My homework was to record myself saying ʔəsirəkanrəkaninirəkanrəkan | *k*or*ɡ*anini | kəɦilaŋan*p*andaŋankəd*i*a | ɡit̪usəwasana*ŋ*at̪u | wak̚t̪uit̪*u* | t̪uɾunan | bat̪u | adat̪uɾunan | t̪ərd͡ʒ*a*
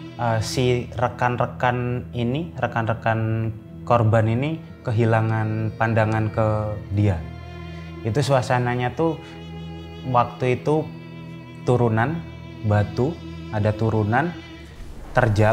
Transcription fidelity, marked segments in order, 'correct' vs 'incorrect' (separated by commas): correct, incorrect, correct, correct, incorrect, correct, correct